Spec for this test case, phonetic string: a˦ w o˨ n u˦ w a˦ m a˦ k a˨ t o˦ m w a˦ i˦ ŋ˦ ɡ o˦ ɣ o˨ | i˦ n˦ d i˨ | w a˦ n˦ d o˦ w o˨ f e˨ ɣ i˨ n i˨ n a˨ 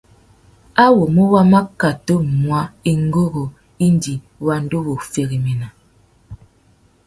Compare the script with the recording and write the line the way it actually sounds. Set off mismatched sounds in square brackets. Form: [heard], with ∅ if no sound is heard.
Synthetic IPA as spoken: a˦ w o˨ [m] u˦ w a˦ m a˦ k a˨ t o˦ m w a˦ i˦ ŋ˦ ɡ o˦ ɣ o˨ | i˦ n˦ d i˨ | w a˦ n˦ d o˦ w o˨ f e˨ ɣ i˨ [m] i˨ n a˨